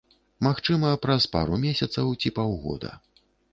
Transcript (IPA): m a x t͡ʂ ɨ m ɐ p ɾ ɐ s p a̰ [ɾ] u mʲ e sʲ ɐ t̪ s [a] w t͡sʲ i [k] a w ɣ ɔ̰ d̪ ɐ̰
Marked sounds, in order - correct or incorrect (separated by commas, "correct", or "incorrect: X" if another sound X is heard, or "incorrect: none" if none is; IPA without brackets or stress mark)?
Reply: correct, incorrect: ɐ, incorrect: p